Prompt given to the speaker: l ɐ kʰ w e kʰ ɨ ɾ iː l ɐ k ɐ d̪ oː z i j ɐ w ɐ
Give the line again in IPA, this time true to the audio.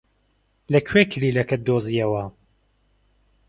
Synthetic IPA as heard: l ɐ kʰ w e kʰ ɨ l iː l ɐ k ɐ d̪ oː z i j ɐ w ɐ